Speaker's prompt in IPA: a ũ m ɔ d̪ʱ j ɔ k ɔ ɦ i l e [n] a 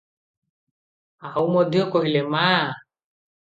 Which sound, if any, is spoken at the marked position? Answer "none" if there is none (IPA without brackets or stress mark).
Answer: m